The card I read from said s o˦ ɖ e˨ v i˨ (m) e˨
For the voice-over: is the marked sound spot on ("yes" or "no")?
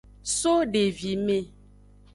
yes